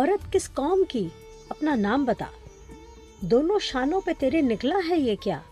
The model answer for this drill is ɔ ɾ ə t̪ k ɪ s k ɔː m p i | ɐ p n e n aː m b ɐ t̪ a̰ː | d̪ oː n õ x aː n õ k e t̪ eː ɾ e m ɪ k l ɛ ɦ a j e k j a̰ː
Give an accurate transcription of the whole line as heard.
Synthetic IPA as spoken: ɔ ɾ ə t̪ k ɪ s k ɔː m k i | ɐ p n a n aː m b ɐ t̪ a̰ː | d̪ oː n õ ʃ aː n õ p e t̪ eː ɾ e n ɪ k l a ɦ ɛ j e k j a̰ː